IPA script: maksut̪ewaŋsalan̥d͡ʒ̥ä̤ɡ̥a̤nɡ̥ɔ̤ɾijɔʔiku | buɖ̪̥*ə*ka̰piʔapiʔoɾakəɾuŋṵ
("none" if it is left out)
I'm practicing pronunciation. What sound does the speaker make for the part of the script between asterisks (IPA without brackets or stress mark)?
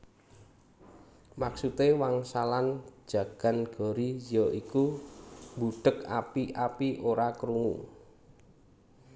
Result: ə